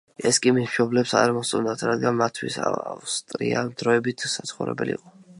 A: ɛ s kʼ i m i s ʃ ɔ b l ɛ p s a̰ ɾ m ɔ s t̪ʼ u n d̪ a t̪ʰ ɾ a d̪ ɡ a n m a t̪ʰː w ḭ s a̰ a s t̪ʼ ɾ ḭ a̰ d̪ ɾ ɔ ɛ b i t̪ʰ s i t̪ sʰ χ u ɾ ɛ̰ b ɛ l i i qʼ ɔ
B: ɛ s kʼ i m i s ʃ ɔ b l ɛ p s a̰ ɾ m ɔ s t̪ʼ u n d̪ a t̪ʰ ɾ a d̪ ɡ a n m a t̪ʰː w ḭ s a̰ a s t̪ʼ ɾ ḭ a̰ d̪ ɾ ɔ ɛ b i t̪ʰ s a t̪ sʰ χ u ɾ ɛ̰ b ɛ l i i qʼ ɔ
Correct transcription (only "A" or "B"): B